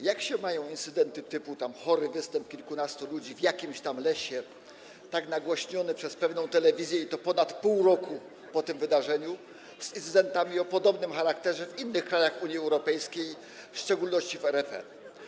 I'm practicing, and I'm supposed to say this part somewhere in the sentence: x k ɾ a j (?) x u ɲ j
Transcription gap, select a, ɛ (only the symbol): a